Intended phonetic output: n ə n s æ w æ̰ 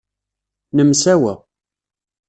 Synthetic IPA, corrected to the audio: n ə m s æ w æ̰